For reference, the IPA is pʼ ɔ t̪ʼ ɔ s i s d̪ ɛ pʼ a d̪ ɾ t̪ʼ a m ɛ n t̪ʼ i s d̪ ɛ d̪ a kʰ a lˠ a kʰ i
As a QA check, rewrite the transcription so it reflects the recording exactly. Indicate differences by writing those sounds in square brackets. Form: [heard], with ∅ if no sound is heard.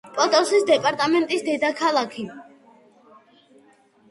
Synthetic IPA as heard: pʼ ɔ t̪ʼ ɔ s i s d̪ ɛ pʼ a [∅] ɾ t̪ʼ a m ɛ n t̪ʼ i s d̪ ɛ d̪ a kʰ a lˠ a kʰ i

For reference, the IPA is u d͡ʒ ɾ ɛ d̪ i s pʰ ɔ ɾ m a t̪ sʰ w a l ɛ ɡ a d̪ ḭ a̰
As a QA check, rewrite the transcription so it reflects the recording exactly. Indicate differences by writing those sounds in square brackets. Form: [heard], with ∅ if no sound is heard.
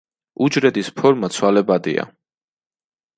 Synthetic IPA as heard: u d͡ʒ ɾ ɛ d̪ i s pʰ ɔ ɾ m a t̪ sʰ w a l ɛ [b] a d̪ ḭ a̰

